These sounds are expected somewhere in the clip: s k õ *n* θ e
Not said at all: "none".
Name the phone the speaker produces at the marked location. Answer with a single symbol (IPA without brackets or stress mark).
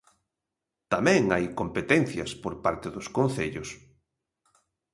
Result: n